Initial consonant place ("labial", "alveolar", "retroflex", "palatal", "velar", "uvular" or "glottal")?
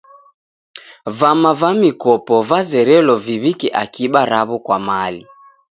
labial